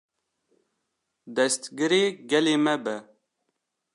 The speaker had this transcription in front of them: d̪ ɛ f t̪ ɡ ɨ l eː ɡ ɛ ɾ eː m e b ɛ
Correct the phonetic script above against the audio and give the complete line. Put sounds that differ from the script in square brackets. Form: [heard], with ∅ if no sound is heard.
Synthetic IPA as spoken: d̪ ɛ [s] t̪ ɡ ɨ [ɾ] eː ɡ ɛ [l] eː m [ɛ] b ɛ